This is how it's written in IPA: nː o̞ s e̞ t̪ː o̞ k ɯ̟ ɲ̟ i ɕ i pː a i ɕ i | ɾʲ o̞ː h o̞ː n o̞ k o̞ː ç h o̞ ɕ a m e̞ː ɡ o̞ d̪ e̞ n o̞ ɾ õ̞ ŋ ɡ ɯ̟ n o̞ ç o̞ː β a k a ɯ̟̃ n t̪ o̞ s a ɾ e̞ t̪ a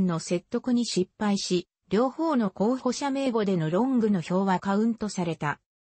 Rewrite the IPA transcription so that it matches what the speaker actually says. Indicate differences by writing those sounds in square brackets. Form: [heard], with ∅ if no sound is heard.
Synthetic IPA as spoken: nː o̞ s e̞ t̪ː o̞ k ɯ̟ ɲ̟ i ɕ i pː a i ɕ i | ɾʲ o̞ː h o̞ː n o̞ k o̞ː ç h o̞ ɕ a m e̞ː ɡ o̞ d̪ e̞ n o̞ ɾ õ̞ ŋ ɡ ɯ̟ n o̞ ç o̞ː β a k a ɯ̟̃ n t̪ o̞ s a ɾ e̞ t̪ a